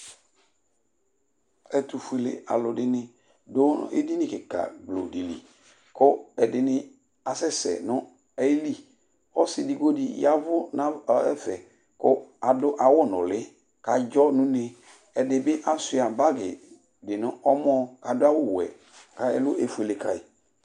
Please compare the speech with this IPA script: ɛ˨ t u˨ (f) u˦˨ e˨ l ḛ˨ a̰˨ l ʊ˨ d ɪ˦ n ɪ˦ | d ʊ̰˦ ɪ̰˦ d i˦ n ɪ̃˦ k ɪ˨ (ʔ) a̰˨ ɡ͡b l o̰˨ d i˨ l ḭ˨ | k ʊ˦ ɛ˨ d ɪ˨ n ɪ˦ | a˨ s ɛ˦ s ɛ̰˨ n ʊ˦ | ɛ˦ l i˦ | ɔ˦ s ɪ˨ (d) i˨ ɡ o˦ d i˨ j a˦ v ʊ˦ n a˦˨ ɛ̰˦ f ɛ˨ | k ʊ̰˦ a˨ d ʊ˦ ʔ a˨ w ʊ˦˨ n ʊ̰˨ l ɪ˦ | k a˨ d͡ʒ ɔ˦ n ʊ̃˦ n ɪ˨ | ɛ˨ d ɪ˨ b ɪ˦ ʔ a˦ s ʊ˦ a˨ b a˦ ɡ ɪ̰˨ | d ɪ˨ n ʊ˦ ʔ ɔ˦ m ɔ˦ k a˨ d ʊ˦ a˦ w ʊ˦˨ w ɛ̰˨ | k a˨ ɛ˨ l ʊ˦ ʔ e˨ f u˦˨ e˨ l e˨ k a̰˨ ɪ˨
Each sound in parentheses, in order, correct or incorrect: correct, incorrect: k, correct

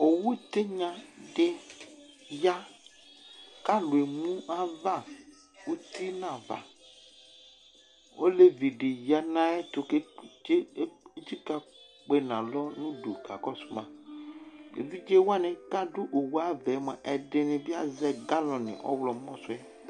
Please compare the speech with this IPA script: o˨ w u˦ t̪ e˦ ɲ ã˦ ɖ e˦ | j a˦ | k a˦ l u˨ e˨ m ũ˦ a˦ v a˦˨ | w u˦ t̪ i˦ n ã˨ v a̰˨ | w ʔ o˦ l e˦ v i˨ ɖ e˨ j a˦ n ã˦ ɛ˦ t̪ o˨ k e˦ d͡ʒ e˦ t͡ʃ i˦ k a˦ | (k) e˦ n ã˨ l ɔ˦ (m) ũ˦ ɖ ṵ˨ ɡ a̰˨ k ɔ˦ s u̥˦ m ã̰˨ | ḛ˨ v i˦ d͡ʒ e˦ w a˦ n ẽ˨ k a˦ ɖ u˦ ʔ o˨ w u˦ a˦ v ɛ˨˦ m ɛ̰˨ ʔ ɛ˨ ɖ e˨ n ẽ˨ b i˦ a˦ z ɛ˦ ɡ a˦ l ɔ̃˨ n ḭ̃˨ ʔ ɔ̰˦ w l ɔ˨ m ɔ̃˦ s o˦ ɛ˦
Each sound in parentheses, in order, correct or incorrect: incorrect: k͡p, incorrect: n

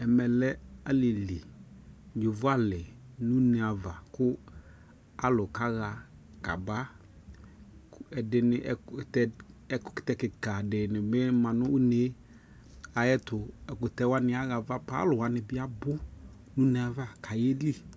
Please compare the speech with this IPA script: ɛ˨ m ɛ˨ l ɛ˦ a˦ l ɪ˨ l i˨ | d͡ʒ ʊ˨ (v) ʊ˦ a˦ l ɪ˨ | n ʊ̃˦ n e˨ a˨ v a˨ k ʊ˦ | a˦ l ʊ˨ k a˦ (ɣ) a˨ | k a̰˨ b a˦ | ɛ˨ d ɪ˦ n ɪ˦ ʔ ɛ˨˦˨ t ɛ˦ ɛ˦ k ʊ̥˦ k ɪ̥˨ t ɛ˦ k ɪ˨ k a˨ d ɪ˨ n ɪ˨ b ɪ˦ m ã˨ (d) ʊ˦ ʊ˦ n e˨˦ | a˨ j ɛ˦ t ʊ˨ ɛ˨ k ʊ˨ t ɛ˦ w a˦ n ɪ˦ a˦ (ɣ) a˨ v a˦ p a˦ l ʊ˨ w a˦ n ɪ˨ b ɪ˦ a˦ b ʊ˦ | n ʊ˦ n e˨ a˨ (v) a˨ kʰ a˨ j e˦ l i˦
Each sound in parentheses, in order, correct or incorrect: correct, correct, incorrect: n, correct, correct

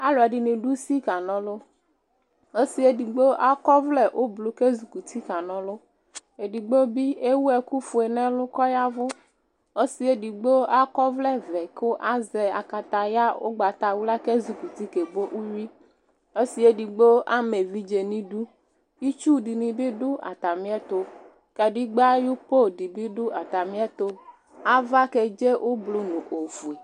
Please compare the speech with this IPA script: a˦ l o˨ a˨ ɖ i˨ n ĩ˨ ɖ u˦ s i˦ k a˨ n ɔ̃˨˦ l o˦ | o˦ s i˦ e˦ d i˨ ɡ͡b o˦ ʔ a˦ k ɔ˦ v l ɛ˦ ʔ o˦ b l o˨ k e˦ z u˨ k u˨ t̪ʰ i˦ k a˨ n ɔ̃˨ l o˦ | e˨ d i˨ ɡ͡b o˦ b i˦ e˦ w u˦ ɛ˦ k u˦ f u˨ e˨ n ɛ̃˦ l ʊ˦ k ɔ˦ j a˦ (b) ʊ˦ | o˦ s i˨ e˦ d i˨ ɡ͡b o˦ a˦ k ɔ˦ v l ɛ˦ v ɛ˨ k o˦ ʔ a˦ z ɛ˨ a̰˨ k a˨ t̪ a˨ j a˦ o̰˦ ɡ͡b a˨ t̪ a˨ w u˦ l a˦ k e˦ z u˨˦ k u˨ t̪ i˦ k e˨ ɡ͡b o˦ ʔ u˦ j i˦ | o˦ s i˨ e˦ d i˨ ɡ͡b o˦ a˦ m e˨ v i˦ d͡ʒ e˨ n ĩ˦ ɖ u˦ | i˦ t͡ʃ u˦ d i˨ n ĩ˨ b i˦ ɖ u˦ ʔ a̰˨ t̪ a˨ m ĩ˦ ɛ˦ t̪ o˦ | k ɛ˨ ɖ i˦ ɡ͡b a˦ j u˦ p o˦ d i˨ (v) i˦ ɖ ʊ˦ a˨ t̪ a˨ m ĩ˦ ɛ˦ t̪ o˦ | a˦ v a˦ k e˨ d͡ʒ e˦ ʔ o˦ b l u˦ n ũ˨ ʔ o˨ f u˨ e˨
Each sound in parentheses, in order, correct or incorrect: incorrect: v, incorrect: b

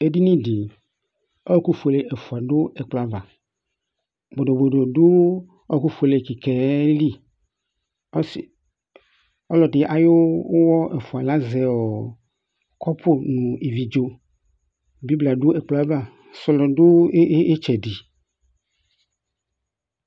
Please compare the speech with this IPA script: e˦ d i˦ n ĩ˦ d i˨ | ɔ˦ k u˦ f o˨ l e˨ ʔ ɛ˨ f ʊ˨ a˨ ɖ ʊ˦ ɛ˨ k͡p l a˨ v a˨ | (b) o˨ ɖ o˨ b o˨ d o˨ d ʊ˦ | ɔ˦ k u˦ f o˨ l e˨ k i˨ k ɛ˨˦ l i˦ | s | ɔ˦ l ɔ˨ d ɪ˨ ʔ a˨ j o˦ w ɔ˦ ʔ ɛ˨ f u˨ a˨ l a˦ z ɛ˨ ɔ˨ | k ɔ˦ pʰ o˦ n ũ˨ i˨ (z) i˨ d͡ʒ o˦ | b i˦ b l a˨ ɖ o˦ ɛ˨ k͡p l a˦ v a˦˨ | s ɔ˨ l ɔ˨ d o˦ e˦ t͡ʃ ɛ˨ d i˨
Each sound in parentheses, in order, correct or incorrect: correct, incorrect: v

